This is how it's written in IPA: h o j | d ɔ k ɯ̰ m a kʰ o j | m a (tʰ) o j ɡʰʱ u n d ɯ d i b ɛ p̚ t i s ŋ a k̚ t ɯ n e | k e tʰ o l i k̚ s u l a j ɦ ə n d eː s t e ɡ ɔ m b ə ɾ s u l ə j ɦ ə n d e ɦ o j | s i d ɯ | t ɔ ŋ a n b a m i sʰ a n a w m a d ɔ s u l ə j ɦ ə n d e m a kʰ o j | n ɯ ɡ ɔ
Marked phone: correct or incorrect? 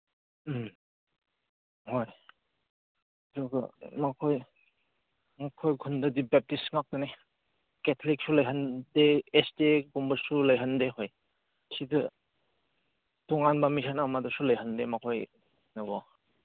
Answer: incorrect: kʰ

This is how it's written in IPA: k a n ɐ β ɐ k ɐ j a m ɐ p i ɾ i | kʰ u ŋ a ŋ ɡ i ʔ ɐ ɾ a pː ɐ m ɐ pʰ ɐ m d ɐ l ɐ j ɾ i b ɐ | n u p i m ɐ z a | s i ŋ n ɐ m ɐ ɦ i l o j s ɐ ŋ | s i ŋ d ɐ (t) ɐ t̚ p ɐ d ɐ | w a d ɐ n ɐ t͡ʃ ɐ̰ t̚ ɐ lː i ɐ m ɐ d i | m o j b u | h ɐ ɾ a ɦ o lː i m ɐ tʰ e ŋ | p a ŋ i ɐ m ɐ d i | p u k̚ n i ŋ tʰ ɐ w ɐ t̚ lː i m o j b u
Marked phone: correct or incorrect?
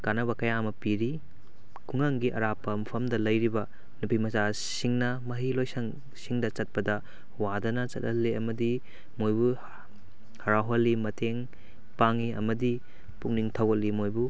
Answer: incorrect: t͡ʃ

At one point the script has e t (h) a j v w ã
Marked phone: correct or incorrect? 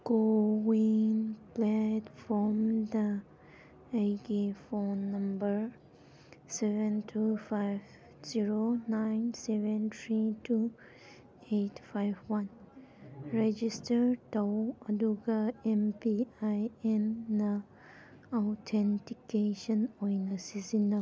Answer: incorrect: f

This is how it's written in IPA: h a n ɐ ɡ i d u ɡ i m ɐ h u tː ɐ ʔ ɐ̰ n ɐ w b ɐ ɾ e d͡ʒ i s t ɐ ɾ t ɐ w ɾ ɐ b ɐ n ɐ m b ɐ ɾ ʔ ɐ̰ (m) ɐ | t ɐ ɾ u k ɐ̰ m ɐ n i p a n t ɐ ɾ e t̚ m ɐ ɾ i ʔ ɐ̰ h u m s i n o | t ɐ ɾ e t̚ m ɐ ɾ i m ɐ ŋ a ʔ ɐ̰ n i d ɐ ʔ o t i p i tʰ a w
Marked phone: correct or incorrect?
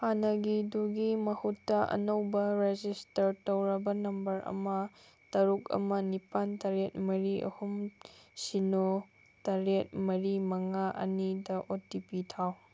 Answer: correct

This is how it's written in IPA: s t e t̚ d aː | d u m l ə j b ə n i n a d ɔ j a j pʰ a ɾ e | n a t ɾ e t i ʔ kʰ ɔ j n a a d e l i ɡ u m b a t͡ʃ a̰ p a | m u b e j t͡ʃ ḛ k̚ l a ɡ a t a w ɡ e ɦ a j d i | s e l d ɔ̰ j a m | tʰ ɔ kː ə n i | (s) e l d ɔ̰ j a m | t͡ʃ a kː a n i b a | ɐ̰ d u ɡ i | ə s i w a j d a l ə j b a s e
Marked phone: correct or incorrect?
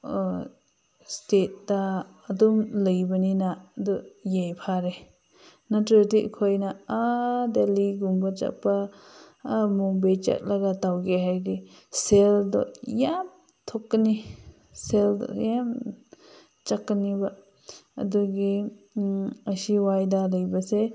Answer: correct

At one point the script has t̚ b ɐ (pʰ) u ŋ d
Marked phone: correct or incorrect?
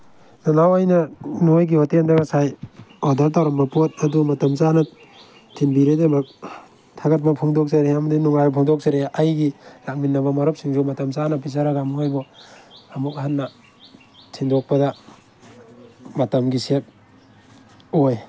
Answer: correct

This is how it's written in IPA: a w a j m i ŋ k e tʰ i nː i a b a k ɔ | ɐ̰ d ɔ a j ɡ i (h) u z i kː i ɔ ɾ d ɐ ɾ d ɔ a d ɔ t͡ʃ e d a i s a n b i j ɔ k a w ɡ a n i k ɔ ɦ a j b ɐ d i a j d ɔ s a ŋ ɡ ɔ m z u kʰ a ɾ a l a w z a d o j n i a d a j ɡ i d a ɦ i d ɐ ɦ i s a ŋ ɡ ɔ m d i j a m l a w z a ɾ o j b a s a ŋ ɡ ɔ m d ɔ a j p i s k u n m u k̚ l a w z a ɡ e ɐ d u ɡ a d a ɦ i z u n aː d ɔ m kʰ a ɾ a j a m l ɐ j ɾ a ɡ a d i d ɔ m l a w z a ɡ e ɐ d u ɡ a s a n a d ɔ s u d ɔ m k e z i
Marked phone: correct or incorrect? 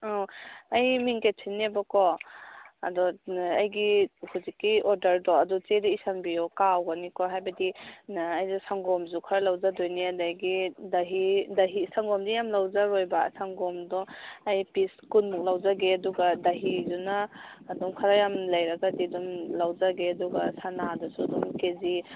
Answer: correct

